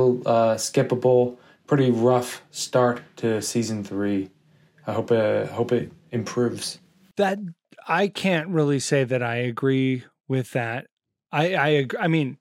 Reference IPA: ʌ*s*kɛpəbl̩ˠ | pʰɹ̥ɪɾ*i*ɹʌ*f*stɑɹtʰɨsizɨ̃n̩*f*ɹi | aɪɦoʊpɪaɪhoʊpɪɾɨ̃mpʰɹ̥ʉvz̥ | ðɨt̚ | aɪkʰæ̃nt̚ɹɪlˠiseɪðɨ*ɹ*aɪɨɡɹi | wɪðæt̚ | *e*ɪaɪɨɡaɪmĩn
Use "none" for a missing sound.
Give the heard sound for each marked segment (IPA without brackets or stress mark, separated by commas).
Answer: s, i, f, θ, ɾ, a